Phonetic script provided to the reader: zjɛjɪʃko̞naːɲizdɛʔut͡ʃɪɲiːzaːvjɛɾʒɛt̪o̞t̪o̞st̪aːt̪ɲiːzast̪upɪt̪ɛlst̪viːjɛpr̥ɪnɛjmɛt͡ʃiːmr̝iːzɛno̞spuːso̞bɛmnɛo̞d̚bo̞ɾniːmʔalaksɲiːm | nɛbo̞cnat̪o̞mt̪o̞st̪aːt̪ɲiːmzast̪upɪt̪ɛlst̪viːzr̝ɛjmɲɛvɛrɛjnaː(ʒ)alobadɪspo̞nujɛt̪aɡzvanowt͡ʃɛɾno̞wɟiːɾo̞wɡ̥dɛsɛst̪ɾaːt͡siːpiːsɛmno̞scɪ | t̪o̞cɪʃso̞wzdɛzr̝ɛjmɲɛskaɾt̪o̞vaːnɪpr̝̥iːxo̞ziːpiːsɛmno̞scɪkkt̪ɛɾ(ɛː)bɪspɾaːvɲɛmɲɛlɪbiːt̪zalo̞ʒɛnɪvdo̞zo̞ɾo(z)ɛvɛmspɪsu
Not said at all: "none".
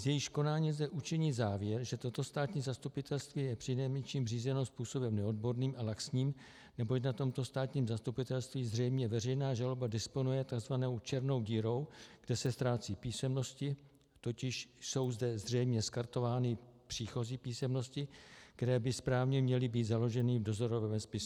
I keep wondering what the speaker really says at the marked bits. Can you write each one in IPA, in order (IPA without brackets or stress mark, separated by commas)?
ʒ, ɛː, v